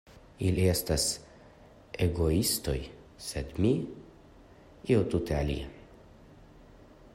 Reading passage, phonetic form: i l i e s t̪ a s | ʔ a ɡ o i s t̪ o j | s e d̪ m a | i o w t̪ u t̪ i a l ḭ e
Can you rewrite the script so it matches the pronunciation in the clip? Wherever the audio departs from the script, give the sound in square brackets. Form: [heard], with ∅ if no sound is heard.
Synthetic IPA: i l i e s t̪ a s | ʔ [e] ɡ o i s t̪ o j | s e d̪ m [i] | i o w t̪ u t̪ [e] a l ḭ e